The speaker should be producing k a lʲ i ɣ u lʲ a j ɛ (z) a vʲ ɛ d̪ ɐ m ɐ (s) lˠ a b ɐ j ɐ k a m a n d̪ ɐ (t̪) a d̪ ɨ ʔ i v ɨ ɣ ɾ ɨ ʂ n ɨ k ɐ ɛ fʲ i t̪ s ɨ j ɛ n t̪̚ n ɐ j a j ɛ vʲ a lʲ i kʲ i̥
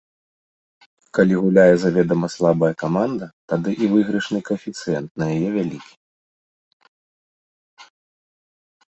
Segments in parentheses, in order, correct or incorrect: correct, correct, correct

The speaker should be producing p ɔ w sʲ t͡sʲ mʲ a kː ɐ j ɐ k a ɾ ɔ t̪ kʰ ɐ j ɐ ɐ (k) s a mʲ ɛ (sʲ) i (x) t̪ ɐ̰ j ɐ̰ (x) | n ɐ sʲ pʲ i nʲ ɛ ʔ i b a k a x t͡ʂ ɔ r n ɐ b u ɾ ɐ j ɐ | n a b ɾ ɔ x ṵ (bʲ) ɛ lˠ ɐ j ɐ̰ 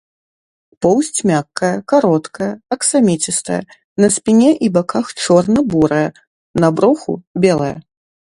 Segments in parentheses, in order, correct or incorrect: correct, incorrect: t͡sʲ, incorrect: s, incorrect: none, correct

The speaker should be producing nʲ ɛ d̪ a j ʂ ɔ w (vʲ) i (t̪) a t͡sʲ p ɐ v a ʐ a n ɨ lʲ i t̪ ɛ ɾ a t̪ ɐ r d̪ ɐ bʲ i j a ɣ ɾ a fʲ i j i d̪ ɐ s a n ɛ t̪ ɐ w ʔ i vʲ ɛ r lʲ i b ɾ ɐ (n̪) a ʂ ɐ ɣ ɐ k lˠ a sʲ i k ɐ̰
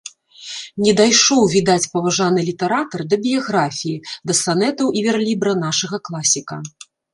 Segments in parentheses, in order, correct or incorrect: correct, incorrect: d̪, correct

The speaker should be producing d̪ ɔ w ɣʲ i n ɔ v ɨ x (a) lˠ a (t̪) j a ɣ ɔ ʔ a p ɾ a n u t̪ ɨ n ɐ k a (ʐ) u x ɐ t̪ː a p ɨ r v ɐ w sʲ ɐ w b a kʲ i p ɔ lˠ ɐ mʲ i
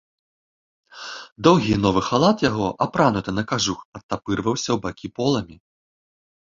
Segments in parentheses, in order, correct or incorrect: correct, correct, correct

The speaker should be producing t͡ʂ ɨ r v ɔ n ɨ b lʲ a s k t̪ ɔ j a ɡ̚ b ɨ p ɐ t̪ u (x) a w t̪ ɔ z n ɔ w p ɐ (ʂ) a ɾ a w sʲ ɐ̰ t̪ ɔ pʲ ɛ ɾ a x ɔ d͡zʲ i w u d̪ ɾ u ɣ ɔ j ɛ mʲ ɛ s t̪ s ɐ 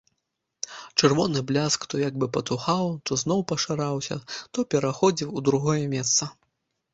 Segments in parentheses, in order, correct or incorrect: correct, correct

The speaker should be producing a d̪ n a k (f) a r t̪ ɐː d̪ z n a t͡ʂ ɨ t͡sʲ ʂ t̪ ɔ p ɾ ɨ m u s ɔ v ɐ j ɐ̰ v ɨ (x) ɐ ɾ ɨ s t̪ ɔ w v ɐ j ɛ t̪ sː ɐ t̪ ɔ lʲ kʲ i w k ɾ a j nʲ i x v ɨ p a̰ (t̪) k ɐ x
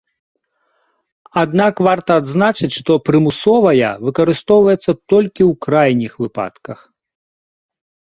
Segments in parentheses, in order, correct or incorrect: incorrect: v, incorrect: k, correct

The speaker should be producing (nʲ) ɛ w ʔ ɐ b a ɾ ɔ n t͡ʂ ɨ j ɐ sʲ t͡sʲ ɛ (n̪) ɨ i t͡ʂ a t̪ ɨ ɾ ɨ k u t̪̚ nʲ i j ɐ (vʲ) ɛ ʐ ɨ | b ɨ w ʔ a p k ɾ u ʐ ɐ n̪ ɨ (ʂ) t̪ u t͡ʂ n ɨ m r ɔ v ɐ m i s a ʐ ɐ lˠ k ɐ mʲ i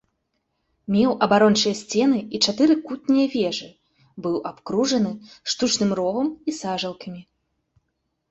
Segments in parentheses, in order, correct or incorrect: incorrect: mʲ, correct, correct, correct

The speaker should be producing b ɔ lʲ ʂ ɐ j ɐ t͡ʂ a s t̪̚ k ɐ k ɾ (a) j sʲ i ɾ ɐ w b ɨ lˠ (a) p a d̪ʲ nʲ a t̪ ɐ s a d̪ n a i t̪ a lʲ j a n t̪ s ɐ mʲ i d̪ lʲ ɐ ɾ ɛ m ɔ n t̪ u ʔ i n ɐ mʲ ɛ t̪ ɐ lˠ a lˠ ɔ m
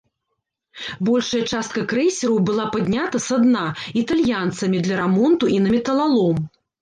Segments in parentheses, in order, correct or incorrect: incorrect: ɛ, correct

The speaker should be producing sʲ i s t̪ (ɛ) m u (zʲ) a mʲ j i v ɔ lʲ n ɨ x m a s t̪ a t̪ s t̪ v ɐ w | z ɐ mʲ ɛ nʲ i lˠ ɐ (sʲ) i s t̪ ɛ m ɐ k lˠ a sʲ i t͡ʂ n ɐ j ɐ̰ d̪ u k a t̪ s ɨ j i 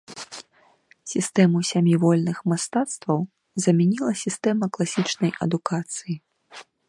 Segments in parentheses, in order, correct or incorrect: correct, incorrect: sʲ, correct

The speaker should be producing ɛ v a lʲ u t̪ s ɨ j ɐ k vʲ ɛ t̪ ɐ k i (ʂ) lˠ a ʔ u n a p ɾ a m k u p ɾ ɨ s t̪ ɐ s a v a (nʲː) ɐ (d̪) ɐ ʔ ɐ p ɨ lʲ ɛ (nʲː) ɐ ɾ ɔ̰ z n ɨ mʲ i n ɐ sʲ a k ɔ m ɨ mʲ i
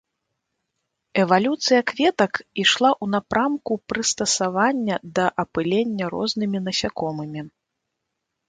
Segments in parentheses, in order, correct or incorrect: correct, correct, correct, correct

